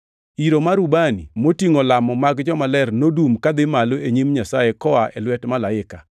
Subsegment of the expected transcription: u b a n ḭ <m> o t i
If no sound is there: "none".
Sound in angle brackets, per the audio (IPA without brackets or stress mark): m